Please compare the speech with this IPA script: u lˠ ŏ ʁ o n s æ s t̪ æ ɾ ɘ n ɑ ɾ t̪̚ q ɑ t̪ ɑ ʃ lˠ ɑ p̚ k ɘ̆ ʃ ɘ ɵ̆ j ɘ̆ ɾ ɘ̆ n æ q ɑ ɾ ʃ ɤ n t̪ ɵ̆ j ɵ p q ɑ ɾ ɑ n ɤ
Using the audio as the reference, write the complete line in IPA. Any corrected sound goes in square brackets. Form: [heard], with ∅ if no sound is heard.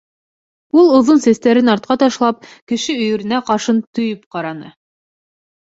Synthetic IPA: u lˠ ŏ [ð] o n s æ s t̪ æ ɾ ɘ n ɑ ɾ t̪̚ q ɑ t̪ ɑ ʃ lˠ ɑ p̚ k ɘ̆ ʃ ɘ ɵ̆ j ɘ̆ ɾ ɘ̆ n æ q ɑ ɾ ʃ ɤ n t̪ ɵ̆ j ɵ p q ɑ ɾ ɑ n ɤ